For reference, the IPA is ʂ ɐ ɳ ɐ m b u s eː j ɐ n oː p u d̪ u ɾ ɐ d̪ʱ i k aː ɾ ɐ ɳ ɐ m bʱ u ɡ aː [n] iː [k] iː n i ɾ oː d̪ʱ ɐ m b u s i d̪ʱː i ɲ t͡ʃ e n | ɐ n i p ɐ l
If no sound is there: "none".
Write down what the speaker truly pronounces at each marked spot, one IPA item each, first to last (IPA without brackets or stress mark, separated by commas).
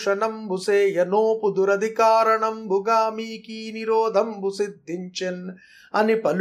m, k